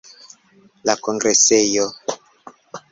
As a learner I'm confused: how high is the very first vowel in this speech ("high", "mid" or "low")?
low